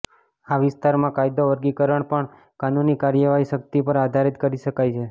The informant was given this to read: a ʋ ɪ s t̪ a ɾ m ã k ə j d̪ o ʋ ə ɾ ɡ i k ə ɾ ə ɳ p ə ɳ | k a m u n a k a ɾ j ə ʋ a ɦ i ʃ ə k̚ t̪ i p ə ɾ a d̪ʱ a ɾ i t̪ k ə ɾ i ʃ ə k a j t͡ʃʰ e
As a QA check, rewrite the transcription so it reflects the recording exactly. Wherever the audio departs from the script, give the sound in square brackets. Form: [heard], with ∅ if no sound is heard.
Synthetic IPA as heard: a ʋ ɪ s t̪ a ɾ m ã k [a] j d̪ o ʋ ə ɾ ɡ i k ə ɾ ə ɳ p ə ɳ | k a [n] u n [i] k a ɾ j ə ʋ a ɦ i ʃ ə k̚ t̪ i p ə ɾ a d̪ʱ a ɾ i t̪ k ə ɾ i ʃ ə k a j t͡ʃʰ e